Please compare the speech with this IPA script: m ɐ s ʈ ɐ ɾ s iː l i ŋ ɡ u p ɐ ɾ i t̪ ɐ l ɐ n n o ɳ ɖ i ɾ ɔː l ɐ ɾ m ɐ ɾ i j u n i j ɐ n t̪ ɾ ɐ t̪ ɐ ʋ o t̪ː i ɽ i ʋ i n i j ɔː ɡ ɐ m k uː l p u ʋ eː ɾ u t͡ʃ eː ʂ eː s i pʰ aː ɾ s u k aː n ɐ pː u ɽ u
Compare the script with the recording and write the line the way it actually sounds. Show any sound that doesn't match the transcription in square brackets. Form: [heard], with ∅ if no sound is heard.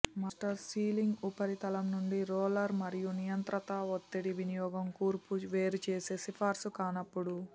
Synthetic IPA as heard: m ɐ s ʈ ɐ ɾ s iː l i ŋ ɡ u p ɐ ɾ i t̪ ɐ l ɐ [m] n [u] ɳ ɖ i ɾ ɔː l ɐ ɾ m ɐ ɾ i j u n i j ɐ n t̪ ɾ ɐ t̪ ɐ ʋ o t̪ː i ɽ i ʋ i n i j ɔː ɡ ɐ m k uː [ɾ] p u ʋ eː ɾ u t͡ʃ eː [s] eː s i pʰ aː ɾ s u k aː n ɐ pː u ɽ u